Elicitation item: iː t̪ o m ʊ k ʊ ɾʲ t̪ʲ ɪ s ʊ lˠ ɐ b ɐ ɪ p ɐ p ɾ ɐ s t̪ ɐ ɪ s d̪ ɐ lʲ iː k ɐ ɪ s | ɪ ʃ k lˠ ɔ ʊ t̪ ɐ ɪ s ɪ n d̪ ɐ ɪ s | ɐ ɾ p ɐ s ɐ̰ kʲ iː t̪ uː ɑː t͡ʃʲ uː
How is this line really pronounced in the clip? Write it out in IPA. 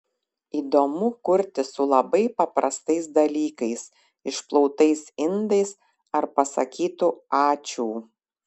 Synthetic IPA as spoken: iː d̪ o m ʊ k ʊ ɾʲ t̪ʲ ɪ s ʊ lˠ ɐ b ɐ ɪ p ɐ p ɾ ɐ s t̪ ɐ ɪ s d̪ ɐ lʲ iː k ɐ ɪ s | ɪ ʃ p lˠ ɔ ʊ t̪ ɐ ɪ s ɪ n d̪ ɐ ɪ s | ɐ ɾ p ɐ s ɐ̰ kʲ iː t̪ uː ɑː t͡ʃʲ uː